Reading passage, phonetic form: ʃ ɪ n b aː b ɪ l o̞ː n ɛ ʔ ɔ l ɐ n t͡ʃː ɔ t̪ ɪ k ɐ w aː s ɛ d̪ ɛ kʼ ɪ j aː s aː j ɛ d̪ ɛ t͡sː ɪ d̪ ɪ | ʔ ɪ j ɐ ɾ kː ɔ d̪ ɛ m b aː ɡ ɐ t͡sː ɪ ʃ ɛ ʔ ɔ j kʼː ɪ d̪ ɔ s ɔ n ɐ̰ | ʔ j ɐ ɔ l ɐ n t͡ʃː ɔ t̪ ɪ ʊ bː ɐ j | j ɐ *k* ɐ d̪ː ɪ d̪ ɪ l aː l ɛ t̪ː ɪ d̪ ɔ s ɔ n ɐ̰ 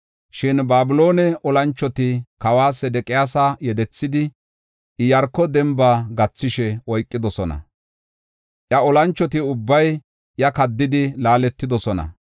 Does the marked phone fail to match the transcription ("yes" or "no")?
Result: no